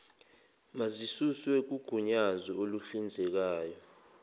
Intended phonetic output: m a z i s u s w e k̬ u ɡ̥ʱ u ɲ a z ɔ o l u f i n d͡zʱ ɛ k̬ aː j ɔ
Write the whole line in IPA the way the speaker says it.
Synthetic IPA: m a z i s u s w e k̬ u ɡ̥ʱ u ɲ a z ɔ o l u f i n d͡zʱ ɛ k̬ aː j ɔ